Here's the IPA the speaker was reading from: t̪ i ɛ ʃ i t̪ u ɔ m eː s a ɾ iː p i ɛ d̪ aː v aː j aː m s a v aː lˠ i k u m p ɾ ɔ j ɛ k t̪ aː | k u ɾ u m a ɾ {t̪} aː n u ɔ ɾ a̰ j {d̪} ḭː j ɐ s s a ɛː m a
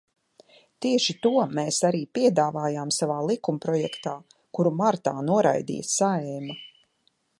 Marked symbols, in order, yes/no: yes, yes

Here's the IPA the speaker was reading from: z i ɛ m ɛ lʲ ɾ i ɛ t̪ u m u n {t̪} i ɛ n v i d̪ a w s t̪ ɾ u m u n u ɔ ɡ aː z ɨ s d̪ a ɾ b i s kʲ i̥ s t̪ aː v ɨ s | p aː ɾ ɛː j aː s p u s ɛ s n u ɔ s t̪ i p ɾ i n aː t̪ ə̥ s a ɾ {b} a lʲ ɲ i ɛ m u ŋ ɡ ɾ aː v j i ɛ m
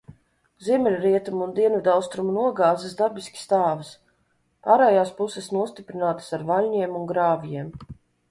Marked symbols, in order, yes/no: no, no

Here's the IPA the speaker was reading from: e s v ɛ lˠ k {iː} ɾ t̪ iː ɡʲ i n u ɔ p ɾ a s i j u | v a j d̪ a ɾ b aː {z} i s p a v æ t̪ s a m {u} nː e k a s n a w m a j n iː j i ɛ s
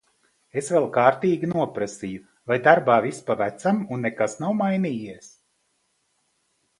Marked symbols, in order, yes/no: no, no, yes

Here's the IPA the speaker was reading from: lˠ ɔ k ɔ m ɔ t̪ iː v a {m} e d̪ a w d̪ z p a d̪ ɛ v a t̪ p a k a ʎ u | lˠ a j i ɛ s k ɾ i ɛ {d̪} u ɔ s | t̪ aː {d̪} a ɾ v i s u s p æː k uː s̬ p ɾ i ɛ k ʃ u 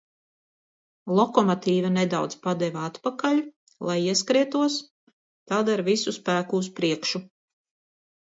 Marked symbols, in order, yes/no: no, no, yes

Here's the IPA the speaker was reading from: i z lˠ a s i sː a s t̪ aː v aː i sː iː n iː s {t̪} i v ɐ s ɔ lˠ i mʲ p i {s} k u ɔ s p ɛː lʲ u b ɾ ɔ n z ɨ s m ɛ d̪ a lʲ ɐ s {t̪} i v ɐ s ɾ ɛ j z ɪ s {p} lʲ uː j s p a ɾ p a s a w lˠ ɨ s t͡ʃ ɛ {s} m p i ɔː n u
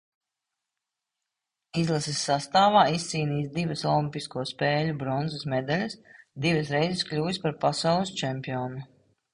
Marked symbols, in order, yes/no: no, yes, no, no, no

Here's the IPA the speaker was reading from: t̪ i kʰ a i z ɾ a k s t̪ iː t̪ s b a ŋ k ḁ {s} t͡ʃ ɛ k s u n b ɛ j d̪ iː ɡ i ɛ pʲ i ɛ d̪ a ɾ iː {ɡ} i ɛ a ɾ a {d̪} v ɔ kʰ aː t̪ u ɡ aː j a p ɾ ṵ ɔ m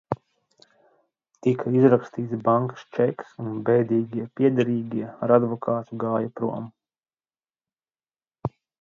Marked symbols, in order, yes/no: yes, yes, yes

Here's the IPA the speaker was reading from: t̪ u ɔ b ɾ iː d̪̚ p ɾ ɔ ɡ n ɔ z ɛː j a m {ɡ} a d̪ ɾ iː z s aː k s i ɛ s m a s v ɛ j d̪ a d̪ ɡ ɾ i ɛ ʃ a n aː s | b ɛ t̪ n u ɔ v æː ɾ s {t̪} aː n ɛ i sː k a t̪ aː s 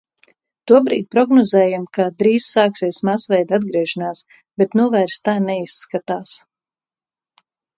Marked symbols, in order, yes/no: no, yes

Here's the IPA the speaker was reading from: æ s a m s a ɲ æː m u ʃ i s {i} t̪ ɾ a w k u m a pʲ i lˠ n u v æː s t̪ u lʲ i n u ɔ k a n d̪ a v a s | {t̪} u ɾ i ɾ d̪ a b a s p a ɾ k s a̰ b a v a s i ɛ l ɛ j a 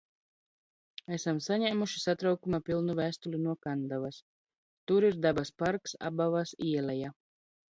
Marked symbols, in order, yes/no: no, yes

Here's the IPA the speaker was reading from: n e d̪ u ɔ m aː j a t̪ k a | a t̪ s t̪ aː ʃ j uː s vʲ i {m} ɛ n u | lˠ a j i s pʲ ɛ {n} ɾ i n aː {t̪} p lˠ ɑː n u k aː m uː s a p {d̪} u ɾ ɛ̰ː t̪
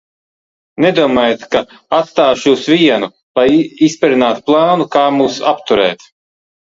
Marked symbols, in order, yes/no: no, no, yes, no

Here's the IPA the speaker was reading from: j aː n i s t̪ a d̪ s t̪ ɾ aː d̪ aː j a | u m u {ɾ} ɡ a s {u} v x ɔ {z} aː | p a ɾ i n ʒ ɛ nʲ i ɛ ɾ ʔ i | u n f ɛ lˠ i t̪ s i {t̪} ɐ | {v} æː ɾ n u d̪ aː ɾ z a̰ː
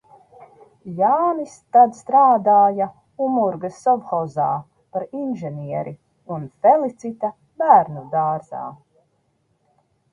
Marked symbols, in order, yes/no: yes, no, yes, yes, no

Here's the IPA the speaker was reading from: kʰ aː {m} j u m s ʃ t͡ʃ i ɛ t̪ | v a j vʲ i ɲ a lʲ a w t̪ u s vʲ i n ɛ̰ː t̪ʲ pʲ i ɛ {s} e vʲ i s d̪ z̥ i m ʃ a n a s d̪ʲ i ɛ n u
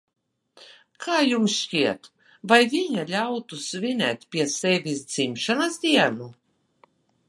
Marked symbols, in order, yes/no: no, yes

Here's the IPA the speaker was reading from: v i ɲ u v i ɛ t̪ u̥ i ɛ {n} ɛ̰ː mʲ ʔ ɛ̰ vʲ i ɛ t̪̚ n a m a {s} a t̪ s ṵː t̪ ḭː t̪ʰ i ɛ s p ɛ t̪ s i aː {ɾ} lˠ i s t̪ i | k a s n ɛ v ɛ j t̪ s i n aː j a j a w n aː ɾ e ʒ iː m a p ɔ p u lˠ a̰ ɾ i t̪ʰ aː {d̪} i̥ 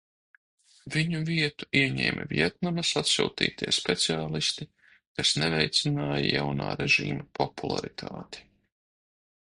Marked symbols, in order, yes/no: no, yes, no, no

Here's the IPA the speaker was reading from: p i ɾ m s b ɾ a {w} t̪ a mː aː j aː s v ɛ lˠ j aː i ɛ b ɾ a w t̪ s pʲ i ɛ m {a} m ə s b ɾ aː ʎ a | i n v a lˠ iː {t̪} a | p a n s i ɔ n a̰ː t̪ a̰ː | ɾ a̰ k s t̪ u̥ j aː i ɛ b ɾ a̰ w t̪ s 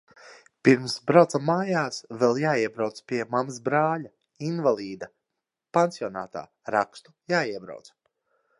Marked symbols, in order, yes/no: yes, yes, no

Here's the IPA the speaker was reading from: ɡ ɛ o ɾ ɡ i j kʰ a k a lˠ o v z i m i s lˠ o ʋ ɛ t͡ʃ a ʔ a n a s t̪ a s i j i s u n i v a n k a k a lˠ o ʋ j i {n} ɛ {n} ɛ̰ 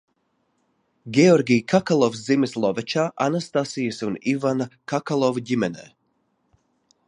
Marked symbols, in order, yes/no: no, yes

